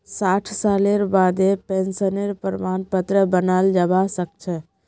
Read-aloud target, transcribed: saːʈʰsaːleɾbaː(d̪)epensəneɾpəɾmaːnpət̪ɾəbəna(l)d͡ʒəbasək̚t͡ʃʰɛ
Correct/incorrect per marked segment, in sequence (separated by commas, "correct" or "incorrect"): correct, correct